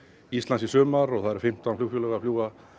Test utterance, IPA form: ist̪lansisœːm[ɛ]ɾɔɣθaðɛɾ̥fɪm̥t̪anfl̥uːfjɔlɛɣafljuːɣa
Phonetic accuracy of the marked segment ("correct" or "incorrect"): incorrect